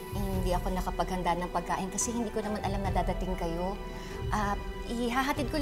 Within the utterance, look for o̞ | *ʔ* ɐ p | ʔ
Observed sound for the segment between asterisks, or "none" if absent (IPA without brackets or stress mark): ʔ